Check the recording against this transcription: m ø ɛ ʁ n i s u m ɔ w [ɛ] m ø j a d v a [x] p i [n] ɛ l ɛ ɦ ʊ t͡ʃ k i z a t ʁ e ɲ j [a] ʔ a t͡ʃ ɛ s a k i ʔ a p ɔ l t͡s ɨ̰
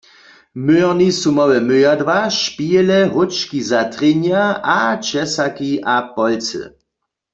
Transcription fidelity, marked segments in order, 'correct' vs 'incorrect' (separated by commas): correct, incorrect, incorrect, correct